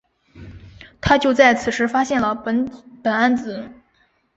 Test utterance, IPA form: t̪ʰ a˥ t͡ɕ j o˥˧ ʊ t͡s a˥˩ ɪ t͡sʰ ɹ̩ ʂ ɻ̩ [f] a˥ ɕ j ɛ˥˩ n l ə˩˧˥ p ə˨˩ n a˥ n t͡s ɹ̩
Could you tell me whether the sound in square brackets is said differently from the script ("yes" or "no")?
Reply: no